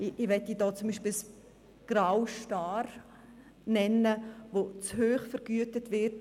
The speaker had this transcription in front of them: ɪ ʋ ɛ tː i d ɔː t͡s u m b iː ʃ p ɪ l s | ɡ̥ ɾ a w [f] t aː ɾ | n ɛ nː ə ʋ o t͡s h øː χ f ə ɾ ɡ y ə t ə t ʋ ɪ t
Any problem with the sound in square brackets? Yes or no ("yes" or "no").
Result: yes